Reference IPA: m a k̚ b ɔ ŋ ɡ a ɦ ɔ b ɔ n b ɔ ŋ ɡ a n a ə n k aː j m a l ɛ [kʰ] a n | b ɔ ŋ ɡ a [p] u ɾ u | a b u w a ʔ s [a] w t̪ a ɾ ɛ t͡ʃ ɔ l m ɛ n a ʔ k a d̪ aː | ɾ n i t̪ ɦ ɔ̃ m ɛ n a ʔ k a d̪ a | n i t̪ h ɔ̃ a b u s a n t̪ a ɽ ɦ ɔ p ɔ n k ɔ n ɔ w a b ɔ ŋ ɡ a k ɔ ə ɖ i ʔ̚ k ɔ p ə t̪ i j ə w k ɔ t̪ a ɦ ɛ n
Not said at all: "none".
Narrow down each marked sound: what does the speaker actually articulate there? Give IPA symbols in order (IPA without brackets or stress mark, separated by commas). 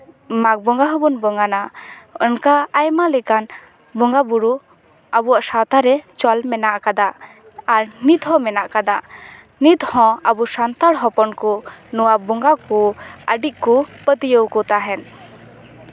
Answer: k, b, a